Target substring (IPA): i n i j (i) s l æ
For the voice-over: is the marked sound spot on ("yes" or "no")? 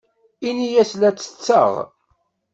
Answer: no